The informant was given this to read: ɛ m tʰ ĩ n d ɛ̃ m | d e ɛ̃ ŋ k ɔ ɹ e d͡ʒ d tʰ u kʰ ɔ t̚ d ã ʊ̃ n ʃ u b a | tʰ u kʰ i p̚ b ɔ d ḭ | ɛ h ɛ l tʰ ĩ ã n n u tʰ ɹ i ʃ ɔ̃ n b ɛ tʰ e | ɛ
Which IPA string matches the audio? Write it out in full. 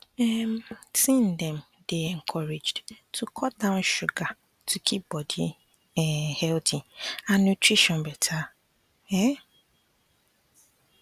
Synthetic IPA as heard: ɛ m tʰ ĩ n d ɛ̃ m | d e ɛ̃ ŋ kʰ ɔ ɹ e d͡ʒ d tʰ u kʰ ɔ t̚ d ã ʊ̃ n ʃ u ɡ a | tʰ u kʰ i p̚ b ɔ d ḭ | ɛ h ɛ l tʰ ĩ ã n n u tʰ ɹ i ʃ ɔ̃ n b ɛ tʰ a | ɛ

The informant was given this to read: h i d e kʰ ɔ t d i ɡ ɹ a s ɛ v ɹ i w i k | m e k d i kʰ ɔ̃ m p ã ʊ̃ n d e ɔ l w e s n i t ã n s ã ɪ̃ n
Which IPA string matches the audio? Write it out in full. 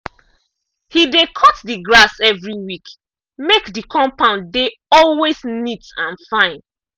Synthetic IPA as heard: h i d e kʰ ɔ t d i ɡ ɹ a s ɛ v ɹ i w i k | m e k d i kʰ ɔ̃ m p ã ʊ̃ n d e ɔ l w e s n i t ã n f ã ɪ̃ n

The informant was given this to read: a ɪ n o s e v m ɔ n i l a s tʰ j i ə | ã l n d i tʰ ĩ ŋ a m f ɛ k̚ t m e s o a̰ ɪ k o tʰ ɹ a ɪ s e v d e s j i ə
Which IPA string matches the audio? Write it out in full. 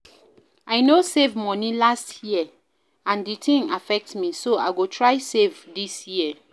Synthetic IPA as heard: a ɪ n o s e v m ɔ n i l a s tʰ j i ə | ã n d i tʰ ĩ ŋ a f ɛ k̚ t m i s o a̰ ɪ ɡ o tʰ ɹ a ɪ s e v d i s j i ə

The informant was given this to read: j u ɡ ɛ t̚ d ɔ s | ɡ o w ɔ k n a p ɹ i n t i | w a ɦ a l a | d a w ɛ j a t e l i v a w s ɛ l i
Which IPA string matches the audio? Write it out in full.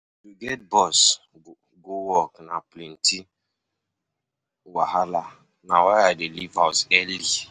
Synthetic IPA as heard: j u ɡ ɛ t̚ b ɔ s | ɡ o w ɔ k n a p l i n t i | w a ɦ a l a | n a w a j a d e l i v a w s ɛ l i

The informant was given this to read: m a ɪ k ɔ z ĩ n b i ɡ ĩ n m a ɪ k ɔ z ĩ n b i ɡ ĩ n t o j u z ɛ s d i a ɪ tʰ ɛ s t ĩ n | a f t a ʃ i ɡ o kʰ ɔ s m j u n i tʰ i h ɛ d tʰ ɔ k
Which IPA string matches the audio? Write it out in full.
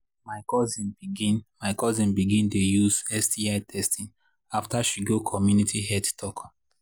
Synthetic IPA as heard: m a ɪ k ɔ z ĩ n b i ɡ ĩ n m a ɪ k ɔ z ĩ n b i ɡ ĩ n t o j u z ɛ s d i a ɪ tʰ ɛ s t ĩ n | a f t a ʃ i ɡ o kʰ ɔ m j u n i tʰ i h ɛ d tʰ ɔ k

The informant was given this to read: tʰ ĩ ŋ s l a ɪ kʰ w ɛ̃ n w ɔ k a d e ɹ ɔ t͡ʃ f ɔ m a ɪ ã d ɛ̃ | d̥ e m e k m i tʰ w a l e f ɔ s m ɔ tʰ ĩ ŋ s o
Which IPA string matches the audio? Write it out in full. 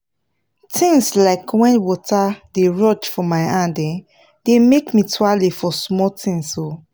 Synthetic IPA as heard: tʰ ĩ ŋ s l a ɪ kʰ w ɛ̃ n w ɔ t a d e ɹ ɔ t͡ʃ f ɔ m a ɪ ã d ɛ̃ | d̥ e m e k m i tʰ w a l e f ɔ s m ɔ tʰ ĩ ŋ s o

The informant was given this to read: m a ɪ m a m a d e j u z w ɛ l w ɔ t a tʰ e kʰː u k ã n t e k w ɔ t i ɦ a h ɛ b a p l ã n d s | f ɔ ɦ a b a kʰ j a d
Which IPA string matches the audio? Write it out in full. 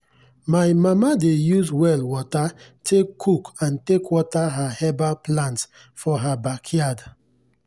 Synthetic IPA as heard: m a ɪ m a m a d e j u z w ɛ l w ɔ t a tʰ e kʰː u k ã n t e k w ɔ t a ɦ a h ɛ b a p l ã n t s | f ɔ ɦ a b a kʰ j a d

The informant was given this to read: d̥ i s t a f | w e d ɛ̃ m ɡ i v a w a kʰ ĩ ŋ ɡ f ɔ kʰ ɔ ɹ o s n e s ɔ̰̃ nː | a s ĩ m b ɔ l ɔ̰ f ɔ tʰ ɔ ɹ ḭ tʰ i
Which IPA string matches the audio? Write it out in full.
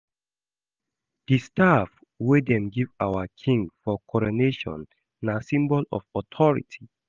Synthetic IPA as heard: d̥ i s t a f | w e d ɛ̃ m ɡ i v a w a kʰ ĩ ŋ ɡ f ɔ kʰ ɔ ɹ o n e ʃ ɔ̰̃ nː | a s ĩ m b ɔ l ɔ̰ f ɔ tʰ ɔ ɹ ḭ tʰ i

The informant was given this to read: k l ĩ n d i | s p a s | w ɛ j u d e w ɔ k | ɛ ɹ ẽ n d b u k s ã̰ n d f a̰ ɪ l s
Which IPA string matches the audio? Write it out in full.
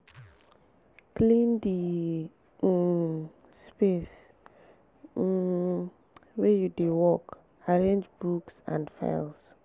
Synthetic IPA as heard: k l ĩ n d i | s p e s | w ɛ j u d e w ɔ k | a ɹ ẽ n d͡ʒ b u k s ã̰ n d f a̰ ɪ l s

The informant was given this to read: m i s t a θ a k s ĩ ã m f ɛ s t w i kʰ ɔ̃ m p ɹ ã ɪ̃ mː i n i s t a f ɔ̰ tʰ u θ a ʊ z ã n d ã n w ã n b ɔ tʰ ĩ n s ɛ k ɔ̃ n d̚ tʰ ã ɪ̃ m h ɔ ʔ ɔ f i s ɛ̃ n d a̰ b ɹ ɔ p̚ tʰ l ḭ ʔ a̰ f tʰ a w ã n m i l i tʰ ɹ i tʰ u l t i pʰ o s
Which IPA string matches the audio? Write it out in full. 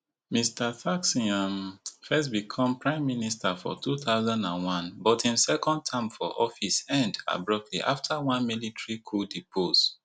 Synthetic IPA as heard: m i s t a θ a k s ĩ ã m f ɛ s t b i kʰ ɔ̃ m p ɹ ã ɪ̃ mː i n i s t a f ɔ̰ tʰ u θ a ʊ z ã n d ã n w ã n b ɔ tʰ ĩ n s ɛ k ɔ̃ n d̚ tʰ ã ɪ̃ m f ɔ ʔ ɔ f i s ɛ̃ n d a̰ b ɹ ɔ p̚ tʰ l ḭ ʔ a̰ f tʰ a w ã n m i l i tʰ ɹ i kʰ u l d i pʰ o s

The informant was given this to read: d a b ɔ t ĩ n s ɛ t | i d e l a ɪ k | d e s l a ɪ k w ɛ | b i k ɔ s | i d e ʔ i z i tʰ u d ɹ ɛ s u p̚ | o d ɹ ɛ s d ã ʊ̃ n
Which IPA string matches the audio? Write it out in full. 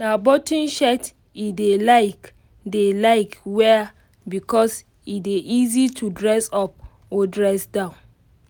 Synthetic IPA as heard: n a b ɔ t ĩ n ʃ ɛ t | i d e l a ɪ k | d e l a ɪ k w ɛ | b i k ɔ s | i d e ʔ i z i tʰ u d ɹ ɛ s ɔ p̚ | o d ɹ ɛ s d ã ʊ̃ n

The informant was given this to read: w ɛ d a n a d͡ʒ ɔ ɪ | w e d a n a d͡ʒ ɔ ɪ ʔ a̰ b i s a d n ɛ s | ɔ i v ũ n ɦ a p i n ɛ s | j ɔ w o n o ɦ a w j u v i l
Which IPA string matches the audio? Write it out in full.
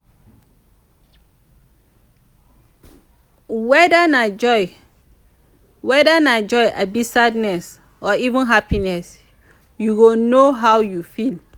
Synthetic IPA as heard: w ɛ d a n a d͡ʒ ɔ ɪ | w ɛ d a n a d͡ʒ ɔ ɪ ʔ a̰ b i s a d n ɛ s | ɔ i v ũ n ɦ a p i n ɛ s | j u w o n o ɦ a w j u f i l

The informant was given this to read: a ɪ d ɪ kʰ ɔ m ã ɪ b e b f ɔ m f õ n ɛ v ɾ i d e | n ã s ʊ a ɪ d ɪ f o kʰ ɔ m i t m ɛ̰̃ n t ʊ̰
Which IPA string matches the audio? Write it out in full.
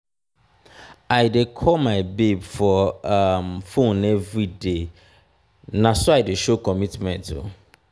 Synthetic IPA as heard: a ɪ d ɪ kʰ ɔ m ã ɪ b e b f ɔ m f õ n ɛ v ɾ i d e | n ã s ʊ a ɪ d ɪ ʃ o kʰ ɔ m i t m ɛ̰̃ n t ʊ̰

